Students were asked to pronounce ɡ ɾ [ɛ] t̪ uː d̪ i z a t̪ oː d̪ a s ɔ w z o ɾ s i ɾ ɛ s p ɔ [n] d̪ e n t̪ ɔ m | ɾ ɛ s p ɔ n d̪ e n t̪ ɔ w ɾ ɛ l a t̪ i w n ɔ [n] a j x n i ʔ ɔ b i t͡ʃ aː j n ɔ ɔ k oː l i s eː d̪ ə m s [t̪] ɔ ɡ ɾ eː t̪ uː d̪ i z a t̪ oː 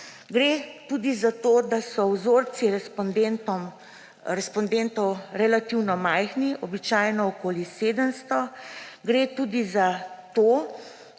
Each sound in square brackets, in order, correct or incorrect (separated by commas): incorrect, correct, incorrect, correct